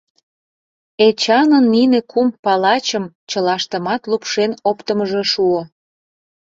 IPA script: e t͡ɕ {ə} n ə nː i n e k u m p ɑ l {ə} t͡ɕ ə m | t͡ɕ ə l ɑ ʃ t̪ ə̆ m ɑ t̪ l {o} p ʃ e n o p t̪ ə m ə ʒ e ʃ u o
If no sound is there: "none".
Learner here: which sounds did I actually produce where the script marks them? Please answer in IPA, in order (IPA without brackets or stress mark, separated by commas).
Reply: ɑ, ɑ, u